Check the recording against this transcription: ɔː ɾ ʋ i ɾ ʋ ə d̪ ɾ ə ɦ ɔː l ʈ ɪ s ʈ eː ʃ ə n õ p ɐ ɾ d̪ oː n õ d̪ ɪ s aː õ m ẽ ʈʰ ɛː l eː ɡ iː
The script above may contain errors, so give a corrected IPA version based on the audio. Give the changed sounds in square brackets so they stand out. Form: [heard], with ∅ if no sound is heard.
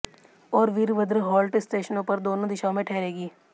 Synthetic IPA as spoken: ɔː ɾ ʋ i ɾ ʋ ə d̪ ɾ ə ɦ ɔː l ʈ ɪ s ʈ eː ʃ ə n õ p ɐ ɾ d̪ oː n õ d̪ ɪ [ʃ] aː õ m ẽ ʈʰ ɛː [ɾ] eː ɡ iː